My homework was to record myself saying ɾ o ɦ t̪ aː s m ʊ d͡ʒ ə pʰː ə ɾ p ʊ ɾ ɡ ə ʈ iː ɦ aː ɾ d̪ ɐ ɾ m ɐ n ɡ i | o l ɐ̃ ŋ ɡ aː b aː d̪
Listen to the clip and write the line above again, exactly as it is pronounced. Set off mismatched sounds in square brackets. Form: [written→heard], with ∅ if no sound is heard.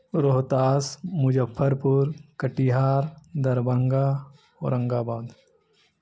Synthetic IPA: ɾ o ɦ t̪ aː s m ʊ d͡ʒ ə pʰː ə ɾ p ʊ ɾ [ɡ→k] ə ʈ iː ɦ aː ɾ d̪ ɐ ɾ [m→b] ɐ [n→ŋ] ɡ [i→a] | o [l→ɾ] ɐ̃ ŋ ɡ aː b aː d̪